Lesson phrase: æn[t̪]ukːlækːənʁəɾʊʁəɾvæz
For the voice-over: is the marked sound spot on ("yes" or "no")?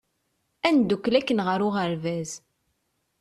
no